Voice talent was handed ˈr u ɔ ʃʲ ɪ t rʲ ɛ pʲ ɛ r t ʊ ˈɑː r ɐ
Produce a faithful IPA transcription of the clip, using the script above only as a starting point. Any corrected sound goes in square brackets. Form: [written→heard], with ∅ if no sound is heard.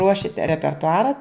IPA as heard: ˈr u ɔ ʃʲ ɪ t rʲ ɛ pʲ ɛ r t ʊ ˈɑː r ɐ